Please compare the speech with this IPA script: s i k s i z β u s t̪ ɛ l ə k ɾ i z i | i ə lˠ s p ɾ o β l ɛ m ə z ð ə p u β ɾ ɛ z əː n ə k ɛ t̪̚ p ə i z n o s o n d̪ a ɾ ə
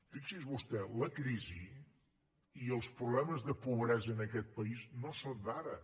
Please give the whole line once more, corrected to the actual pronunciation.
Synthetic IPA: f i k s i z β u s t̪ ɛ l ə k ɾ i z i | i ə lˠ s p ɾ u β l ɛ m ə z ð ə p u β ɾ ɛ z əː n ə k ɛ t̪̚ p ə i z n o s o n d̪ a ɾ ə